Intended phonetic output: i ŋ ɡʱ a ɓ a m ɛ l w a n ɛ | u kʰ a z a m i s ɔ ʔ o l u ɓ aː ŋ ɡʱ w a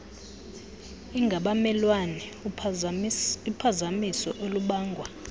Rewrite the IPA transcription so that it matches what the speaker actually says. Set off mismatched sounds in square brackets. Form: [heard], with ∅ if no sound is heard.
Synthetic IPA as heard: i ŋ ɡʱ a ɓ a m ɛ l w a n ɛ | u [pʰ] a z a m i s ɔ ʔ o l u ɓ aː ŋ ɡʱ w a

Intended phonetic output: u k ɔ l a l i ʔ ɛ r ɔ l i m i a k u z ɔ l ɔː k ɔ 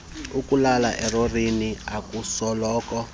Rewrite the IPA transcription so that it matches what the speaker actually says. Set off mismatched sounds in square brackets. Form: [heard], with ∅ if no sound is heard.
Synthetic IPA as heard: u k [u] l a l [a] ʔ ɛ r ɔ [r] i [n] i a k u [s] ɔ l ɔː k ɔ

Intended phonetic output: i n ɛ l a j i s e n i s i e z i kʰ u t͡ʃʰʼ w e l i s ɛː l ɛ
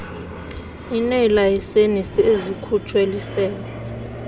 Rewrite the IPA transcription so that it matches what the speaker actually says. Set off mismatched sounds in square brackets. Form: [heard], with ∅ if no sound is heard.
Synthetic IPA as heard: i n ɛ l a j i s e n i s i e z i kʰ u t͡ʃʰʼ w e l i s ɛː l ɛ

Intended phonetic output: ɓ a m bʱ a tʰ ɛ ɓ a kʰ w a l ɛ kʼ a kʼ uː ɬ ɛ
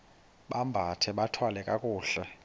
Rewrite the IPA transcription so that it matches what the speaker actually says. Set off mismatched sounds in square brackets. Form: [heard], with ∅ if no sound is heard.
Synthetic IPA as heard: ɓ a m bʱ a tʰ ɛ ɓ a [tʰ] w a l ɛ kʼ a kʼ uː ɬ ɛ

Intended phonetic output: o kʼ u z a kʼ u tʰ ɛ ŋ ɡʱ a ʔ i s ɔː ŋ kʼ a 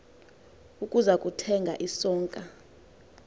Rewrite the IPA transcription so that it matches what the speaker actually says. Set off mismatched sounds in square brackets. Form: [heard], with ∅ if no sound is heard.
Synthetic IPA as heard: [u] kʼ u z a kʼ u tʰ ɛ ŋ ɡʱ a ʔ i s ɔː ŋ kʼ a

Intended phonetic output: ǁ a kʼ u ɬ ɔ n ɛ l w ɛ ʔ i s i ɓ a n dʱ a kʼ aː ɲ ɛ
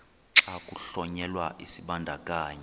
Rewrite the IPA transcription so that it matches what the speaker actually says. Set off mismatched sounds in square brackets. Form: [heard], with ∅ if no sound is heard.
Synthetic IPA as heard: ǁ a kʼ u ɬ ɔ [ɲ] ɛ l w [a] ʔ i s i ɓ a n dʱ a kʼ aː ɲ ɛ

